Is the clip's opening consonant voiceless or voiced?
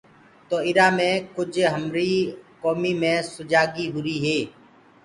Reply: voiceless